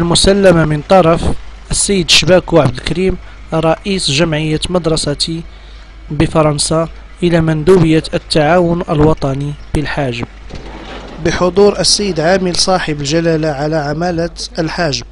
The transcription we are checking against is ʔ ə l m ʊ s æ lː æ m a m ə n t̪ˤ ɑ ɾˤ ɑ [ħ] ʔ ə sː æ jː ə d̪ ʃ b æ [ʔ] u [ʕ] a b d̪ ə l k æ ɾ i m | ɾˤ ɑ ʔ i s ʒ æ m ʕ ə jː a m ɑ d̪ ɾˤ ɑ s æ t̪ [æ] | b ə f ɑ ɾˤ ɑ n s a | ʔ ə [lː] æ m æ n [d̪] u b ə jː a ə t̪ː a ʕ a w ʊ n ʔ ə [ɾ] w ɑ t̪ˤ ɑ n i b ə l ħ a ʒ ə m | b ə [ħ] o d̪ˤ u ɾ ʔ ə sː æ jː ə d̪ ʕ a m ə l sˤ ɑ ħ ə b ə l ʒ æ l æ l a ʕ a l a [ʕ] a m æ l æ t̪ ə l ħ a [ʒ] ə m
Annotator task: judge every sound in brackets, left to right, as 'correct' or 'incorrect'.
incorrect: f, incorrect: k, correct, incorrect: i, incorrect: l, correct, incorrect: l, correct, correct, correct

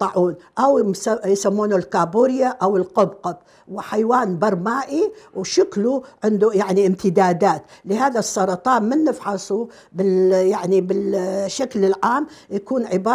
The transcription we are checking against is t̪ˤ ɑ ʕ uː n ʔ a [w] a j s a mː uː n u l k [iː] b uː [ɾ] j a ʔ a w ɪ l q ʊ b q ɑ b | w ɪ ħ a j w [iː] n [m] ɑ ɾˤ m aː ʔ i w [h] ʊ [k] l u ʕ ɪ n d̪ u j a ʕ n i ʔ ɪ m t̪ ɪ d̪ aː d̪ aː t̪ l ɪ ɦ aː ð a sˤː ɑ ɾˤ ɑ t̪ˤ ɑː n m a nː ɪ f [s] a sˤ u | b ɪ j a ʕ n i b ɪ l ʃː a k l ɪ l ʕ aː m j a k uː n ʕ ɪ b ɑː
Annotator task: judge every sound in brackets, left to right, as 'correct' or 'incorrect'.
correct, incorrect: aː, correct, incorrect: aː, incorrect: b, incorrect: ʃ, correct, incorrect: ħ

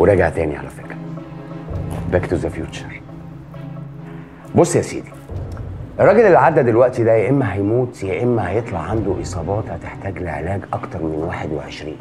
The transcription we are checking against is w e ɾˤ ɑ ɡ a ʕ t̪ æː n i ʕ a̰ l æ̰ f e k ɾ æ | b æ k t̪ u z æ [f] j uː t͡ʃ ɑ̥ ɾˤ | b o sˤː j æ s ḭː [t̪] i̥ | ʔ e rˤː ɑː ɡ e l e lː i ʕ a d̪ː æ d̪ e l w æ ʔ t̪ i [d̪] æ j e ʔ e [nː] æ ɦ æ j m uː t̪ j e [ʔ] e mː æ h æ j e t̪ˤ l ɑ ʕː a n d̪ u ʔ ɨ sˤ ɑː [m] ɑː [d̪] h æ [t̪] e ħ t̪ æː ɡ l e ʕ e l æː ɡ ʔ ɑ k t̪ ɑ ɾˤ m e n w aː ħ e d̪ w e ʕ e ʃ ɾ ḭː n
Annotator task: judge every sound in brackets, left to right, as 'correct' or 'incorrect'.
correct, incorrect: d̪, correct, incorrect: mː, correct, incorrect: b, incorrect: t̪, correct

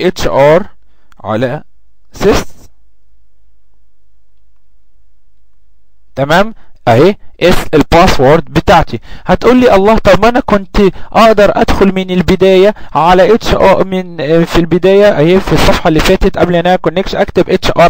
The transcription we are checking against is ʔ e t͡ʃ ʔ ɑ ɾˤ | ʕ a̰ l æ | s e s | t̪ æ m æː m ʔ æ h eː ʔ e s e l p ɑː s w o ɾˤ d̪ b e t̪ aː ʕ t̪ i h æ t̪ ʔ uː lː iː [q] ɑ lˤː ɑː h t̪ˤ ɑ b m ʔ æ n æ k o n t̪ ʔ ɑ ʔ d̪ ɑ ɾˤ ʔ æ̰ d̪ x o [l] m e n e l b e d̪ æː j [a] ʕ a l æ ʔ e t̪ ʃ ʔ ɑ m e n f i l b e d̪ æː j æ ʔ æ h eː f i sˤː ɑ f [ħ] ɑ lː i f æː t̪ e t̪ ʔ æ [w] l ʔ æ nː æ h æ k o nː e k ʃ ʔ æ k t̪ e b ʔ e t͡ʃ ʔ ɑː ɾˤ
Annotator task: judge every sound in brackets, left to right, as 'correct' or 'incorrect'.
incorrect: ʔ, correct, incorrect: æ, correct, incorrect: b

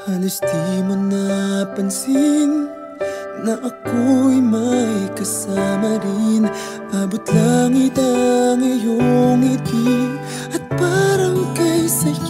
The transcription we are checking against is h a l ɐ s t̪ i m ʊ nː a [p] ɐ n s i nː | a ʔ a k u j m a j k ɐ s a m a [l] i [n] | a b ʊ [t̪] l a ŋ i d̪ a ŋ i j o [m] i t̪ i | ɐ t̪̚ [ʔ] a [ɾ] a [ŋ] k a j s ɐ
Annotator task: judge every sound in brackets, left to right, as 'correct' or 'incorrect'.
correct, incorrect: ɾ, correct, correct, incorrect: ŋ, incorrect: p, correct, correct

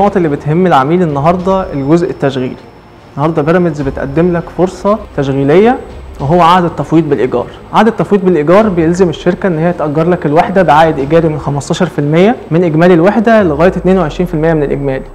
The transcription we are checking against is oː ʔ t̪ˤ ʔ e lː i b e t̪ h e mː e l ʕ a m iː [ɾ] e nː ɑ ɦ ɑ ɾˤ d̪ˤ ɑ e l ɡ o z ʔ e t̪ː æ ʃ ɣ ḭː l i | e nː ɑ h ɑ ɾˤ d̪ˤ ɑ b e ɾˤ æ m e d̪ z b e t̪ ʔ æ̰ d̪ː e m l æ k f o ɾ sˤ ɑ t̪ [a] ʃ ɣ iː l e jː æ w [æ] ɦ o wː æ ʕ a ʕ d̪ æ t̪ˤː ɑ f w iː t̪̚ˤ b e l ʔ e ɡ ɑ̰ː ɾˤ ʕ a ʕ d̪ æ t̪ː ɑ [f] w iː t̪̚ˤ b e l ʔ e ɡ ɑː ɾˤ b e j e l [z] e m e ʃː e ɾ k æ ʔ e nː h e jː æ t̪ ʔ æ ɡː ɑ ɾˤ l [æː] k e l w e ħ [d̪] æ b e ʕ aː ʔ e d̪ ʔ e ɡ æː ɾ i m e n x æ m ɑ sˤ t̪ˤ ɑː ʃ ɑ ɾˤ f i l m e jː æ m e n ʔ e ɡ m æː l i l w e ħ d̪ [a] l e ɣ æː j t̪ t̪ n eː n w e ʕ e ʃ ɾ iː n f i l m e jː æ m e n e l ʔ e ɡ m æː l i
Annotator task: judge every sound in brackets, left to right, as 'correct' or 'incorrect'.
incorrect: l, incorrect: æ, incorrect: e, correct, correct, incorrect: æ, correct, incorrect: æ

